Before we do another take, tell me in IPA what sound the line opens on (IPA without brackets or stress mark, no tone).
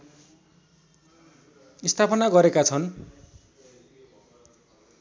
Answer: i